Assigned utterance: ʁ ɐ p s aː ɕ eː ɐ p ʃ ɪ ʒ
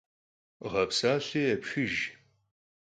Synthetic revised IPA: ʁ ɐ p s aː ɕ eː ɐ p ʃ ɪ ʒ